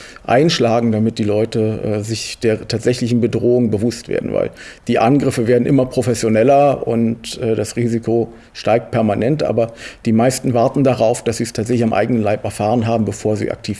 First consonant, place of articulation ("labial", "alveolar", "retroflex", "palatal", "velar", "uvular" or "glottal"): glottal